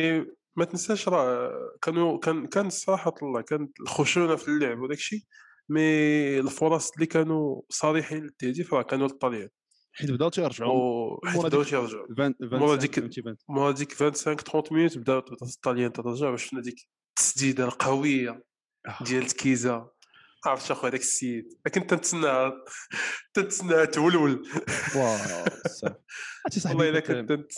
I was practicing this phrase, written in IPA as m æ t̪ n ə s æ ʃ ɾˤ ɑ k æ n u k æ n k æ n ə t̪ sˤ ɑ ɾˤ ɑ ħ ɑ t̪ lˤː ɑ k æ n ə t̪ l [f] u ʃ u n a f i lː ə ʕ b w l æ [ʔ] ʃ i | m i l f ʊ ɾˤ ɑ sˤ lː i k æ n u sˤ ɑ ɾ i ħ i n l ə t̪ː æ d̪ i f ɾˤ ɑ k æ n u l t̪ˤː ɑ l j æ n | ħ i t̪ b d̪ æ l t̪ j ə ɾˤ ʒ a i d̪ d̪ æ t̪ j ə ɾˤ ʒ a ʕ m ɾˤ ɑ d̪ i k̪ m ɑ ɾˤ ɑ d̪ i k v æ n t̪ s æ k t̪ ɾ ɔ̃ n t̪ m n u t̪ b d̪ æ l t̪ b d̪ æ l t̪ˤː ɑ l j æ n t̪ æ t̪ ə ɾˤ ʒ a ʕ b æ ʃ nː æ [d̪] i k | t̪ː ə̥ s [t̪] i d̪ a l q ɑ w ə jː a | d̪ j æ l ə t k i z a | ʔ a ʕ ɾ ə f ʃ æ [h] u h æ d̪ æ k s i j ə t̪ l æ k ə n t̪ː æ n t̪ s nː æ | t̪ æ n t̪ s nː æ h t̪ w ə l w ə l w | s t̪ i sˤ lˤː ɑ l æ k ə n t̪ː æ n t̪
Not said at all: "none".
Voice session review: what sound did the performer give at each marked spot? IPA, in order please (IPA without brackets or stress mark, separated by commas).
x, k, d̪, d̪, x